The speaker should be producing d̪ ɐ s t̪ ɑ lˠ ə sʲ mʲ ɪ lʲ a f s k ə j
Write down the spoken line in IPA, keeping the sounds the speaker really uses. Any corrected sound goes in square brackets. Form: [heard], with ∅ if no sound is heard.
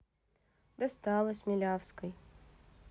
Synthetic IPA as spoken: d̪ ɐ s t̪ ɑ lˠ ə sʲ mʲ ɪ lʲ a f s k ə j